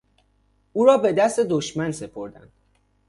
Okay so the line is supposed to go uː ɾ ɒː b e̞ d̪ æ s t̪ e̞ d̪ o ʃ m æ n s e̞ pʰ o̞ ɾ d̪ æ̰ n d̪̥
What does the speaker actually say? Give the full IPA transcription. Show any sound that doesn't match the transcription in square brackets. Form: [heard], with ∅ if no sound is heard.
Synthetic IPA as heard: uː ɾ ɒː b e̞ d̪ æ s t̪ e̞ d̪ o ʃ m æ n s e̞ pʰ o̞ ɾ d̪ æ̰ n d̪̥